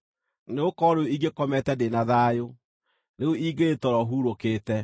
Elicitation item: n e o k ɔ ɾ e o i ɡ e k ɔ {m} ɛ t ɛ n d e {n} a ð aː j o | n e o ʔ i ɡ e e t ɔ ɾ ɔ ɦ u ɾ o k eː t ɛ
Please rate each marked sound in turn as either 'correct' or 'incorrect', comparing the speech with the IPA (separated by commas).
correct, correct